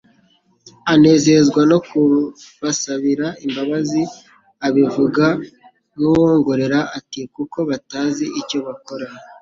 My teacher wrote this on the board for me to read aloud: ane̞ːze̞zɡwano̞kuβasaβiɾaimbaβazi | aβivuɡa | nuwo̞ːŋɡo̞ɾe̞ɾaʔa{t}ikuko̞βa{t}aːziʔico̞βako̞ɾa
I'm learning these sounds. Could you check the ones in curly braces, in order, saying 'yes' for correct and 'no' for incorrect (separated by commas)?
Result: yes, yes